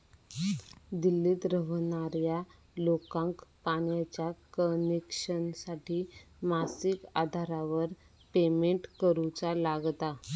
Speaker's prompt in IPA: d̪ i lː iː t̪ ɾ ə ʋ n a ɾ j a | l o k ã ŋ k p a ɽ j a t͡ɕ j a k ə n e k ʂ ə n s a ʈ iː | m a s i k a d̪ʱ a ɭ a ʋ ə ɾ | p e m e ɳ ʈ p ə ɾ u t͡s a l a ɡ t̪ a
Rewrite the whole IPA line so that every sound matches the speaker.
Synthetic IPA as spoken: d̪ i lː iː t̪ ɾ ə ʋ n a ɾ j a | l o k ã ŋ k p a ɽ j a t͡ɕ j a k ə n e k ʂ ə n s a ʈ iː | m a s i k a d̪ʱ a ɾ a ʋ ə ɾ | p e m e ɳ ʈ k ə ɾ u t͡s a l a ɡ t̪ a